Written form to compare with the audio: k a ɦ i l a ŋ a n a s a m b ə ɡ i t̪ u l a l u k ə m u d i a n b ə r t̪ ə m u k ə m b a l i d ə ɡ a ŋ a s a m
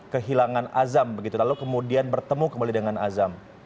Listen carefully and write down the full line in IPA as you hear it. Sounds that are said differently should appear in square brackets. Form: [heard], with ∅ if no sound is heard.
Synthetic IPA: k [ə] ɦ i l a ŋ a n a [z] a m b ə ɡ i t̪ u l a l u k ə m u d i a n b ə r t̪ ə m u k ə m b a l i d ə [ŋ] a [n] a [z] a m